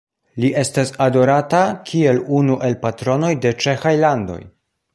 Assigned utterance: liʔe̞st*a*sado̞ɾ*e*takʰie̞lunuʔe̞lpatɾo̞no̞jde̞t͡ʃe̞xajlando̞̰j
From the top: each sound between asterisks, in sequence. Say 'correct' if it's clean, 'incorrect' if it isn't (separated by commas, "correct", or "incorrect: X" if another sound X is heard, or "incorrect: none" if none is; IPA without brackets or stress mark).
correct, incorrect: a